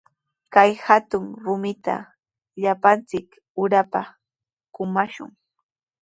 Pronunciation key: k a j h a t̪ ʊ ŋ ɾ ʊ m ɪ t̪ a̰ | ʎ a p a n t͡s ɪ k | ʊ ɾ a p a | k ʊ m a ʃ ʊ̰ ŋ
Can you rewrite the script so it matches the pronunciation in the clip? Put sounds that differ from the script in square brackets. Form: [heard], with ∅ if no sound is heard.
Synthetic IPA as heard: k a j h a t̪ ʊ ŋ ɾ ʊ m ɪ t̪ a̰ | ʎ a p a n t͡s ɪ k | ʊ ɾ a p a | k ʊ m a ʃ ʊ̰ ŋ